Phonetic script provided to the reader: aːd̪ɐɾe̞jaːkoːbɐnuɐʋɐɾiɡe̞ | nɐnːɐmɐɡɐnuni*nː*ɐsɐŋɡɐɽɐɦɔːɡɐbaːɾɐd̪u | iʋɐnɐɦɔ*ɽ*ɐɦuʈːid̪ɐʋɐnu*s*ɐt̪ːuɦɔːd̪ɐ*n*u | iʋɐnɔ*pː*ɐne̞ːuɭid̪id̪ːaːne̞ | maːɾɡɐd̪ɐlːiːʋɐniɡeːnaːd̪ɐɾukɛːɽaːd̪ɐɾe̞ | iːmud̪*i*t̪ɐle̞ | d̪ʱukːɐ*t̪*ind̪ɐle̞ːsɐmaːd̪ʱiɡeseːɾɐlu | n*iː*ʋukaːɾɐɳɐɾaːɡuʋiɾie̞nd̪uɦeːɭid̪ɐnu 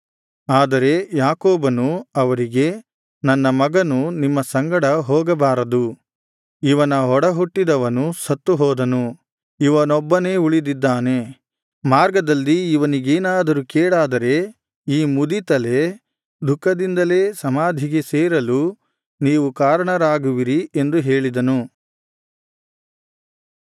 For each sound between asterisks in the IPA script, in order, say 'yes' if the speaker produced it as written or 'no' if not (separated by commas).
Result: no, yes, yes, yes, no, yes, no, yes